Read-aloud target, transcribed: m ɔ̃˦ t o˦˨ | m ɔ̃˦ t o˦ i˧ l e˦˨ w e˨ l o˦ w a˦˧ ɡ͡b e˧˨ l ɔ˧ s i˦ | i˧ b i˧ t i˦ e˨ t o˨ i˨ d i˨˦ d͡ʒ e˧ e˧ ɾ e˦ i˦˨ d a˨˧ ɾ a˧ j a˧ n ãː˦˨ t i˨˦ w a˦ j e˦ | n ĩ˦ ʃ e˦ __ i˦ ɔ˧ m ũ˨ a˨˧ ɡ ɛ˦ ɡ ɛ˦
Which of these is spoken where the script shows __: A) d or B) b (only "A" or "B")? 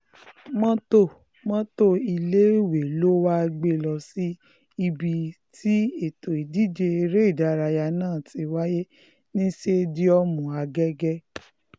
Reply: A